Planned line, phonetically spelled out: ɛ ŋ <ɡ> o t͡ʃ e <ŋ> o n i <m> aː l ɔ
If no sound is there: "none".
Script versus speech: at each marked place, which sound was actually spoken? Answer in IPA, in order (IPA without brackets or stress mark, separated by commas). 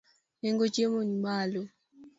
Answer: ɡ, m, m